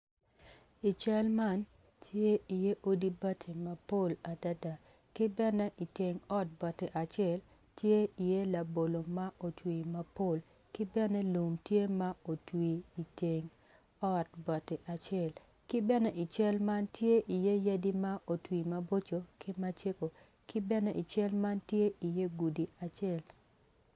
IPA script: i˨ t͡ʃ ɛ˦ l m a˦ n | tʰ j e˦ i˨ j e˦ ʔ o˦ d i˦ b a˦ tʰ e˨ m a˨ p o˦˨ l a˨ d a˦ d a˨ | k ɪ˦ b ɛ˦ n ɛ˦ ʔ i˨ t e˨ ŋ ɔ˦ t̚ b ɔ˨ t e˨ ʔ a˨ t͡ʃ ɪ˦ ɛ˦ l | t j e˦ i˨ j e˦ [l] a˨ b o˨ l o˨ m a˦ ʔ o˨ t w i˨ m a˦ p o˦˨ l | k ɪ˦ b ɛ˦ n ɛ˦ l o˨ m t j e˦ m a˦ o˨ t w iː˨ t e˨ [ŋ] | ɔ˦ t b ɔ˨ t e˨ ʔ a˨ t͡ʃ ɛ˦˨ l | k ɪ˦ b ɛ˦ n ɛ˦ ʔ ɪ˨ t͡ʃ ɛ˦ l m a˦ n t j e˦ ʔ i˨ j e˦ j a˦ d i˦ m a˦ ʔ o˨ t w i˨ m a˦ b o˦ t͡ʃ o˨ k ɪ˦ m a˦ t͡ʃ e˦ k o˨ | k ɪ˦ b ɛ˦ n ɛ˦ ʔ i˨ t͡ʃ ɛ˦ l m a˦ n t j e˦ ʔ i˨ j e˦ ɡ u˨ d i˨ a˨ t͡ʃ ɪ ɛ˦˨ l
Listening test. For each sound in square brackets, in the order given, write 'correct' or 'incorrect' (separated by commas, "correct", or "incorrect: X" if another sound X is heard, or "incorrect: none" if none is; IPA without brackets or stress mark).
correct, correct